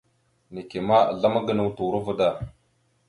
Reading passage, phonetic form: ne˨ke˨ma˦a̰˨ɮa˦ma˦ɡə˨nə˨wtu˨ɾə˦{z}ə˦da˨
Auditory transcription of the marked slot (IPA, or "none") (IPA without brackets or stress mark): v